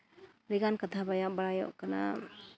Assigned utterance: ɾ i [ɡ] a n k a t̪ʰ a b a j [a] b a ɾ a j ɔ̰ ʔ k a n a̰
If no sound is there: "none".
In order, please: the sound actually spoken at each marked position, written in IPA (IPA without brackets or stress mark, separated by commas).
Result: ɡ, a